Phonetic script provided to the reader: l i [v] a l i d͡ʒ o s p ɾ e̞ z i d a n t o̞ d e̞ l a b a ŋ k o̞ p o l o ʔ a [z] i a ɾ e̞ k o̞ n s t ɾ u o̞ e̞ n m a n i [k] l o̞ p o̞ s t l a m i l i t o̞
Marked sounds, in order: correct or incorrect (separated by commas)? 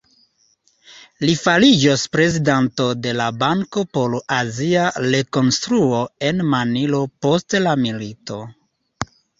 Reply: incorrect, correct, incorrect